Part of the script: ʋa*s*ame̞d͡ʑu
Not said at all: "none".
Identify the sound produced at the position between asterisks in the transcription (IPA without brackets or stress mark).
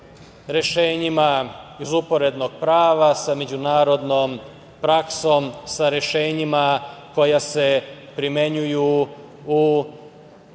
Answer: s